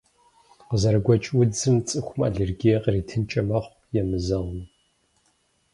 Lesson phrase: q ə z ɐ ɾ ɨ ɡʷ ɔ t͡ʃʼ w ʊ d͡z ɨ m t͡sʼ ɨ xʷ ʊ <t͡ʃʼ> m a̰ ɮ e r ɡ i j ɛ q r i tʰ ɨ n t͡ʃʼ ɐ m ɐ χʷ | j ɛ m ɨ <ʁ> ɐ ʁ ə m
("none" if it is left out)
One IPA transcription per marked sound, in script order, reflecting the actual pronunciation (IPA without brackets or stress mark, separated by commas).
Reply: none, z